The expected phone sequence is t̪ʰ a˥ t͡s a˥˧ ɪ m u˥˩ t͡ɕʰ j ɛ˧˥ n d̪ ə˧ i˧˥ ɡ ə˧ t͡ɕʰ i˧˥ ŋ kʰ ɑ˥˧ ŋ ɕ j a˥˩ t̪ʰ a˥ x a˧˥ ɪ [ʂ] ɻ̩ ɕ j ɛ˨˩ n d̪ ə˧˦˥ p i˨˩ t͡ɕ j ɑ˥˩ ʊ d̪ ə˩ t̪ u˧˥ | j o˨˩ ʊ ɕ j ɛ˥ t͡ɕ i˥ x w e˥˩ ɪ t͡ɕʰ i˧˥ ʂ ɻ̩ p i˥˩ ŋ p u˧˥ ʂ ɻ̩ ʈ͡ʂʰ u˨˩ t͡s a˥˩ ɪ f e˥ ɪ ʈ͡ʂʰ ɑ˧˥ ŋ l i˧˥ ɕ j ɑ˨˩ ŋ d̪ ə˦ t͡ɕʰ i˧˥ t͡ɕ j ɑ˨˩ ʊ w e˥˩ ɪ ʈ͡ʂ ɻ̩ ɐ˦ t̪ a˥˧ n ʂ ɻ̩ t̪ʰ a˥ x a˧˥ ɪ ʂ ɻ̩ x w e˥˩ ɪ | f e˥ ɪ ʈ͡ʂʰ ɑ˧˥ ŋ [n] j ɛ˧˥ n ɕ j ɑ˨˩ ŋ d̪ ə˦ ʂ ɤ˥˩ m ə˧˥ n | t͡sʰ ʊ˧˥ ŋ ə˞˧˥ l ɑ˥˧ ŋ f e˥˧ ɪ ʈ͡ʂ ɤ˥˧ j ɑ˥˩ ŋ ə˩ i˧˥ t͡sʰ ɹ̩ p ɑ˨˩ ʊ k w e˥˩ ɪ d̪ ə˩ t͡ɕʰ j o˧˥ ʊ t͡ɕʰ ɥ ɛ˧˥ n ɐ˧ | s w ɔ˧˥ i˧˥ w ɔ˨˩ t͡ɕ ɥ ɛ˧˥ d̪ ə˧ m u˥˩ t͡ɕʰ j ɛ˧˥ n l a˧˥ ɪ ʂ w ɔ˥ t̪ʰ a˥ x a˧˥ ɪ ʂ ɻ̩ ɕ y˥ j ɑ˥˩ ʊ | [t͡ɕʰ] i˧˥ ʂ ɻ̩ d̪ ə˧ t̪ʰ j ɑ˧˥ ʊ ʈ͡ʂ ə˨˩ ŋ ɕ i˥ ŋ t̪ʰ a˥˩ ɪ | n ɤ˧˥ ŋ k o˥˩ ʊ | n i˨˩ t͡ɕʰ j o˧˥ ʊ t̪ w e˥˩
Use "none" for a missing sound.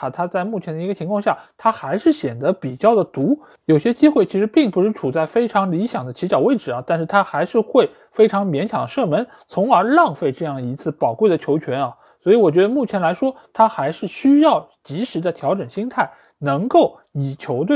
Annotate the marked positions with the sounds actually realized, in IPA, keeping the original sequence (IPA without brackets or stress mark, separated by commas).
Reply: ʂ, m, t͡ɕ